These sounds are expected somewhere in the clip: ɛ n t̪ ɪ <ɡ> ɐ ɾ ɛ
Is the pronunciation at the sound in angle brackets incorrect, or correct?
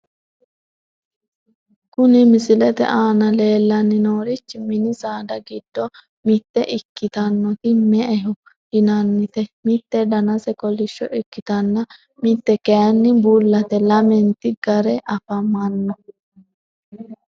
correct